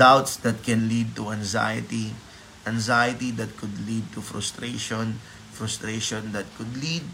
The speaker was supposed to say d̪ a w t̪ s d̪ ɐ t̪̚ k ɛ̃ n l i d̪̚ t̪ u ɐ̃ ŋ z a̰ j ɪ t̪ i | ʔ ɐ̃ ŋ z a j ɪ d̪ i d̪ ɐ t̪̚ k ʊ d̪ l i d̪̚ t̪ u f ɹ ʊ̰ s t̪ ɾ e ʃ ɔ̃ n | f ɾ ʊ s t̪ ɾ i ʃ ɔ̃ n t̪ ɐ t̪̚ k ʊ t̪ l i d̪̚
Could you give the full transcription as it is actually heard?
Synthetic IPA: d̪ a w t̪ s d̪ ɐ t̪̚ k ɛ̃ n l i d̪̚ t̪ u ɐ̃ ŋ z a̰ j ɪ t̪ i | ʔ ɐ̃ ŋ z a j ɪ t̪ i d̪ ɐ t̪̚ k ʊ d̪ l i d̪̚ t̪ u f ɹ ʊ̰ s t̪ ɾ e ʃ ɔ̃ n | f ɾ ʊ s t̪ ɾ e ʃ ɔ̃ n d̪ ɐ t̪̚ k ʊ d̪ l i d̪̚